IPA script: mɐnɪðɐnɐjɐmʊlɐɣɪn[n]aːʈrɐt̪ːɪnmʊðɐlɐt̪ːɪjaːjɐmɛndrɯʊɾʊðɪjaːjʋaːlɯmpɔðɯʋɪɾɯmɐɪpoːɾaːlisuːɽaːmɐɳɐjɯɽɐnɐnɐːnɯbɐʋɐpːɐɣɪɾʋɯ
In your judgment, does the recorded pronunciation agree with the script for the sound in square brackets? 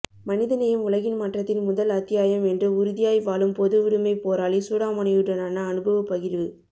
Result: no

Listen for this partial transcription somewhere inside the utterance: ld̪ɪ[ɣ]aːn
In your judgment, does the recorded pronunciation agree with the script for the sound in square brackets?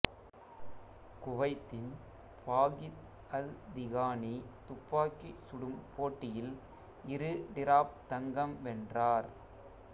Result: yes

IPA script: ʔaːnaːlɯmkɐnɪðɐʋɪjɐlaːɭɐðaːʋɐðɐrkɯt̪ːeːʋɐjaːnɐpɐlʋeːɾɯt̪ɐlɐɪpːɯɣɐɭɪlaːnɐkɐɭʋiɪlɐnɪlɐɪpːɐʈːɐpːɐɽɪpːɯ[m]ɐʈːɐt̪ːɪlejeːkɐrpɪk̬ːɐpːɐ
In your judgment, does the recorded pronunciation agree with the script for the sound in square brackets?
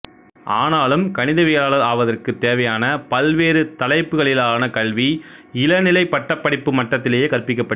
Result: yes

